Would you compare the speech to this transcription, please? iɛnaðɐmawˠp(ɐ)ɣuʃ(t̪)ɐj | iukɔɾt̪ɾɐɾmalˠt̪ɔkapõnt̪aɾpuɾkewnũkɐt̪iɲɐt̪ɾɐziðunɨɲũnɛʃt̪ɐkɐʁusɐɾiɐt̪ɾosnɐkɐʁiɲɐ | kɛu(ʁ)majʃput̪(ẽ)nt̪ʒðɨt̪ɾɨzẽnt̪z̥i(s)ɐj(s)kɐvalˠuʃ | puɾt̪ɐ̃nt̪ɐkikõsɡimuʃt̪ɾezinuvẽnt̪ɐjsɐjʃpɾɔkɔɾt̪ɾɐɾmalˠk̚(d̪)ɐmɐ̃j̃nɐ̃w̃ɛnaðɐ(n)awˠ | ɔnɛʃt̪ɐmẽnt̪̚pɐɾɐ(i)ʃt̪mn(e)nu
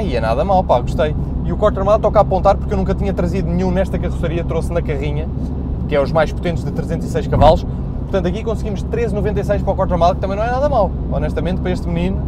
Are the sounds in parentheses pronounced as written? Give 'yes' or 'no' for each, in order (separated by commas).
no, yes, no, yes, yes, no, no, no, no, no